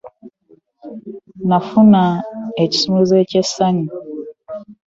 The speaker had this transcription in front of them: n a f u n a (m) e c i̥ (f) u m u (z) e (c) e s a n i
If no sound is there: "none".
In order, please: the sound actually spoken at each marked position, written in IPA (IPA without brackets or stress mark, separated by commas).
none, s, z, c